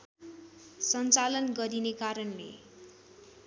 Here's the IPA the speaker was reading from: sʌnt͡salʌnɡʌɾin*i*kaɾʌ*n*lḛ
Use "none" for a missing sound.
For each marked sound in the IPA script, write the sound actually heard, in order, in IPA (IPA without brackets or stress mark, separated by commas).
e, n